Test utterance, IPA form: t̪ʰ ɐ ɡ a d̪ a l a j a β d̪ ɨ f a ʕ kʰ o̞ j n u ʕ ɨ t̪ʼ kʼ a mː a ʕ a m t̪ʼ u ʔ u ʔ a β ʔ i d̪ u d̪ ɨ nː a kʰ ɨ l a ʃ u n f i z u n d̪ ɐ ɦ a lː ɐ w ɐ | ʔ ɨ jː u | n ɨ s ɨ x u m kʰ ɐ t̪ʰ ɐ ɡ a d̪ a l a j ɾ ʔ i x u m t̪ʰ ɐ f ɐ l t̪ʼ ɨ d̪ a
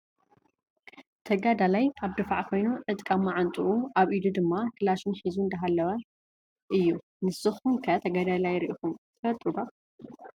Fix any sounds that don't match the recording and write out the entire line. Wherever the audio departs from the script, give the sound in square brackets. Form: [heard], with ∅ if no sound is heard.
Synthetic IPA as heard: t̪ʰ ɐ ɡ a d̪ a l a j a β d̪ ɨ f a ʕ kʰ o̞ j n u ʕ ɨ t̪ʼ kʼ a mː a ʕ a [n] t̪ʼ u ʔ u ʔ a β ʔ i d̪ u d̪ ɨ [mː] a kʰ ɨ l a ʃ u n [ħ] i z u n d̪ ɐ ɦ a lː ɐ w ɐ | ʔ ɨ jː u | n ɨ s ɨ x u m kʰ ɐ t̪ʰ ɐ ɡ a d̪ a l a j ɾ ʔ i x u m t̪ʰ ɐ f ɐ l t̪ʼ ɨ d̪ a